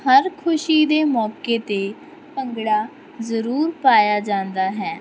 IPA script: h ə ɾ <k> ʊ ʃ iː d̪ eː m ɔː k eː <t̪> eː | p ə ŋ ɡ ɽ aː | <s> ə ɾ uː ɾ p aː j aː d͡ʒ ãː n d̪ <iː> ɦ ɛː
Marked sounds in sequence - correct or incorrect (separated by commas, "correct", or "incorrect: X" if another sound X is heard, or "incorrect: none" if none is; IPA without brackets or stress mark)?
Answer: incorrect: kʰ, correct, incorrect: z, incorrect: aː